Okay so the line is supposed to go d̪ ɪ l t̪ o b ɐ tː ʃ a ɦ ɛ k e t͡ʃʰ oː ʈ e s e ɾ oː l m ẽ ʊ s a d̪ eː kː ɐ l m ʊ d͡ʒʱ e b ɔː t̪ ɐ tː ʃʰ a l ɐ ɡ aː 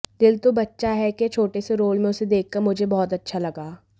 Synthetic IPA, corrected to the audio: d̪ ɪ l t̪ o b ɐ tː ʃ a ɦ ɛ k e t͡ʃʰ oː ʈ e s e ɾ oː l m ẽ ʊ s e d̪ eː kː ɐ ɾ m ʊ d͡ʒʱ e b ɔː t̪ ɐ tː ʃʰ a l ɐ ɡ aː